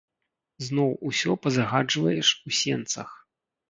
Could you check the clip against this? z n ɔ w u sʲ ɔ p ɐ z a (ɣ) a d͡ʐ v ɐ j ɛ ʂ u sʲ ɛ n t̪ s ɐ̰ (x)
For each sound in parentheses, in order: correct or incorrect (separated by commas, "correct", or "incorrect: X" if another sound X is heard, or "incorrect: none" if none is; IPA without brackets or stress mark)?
correct, correct